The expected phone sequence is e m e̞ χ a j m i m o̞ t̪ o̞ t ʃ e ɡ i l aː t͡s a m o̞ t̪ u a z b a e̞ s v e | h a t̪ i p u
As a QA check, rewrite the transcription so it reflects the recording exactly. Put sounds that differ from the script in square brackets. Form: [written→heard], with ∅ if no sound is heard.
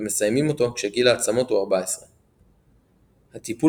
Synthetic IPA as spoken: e m e̞ [χ→s] a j m i m o̞ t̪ o̞ [t→k] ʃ e ɡ i l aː t͡s a m o̞ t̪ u a [z→ʁ] b a e̞ s [v→ʁ] e | h a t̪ i p u